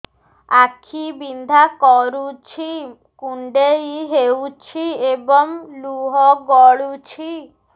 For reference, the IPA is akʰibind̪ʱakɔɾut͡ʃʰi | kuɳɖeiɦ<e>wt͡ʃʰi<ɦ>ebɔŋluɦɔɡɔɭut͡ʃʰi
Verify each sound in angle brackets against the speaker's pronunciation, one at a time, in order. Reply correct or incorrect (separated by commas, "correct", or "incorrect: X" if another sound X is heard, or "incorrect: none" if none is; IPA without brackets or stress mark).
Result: correct, incorrect: none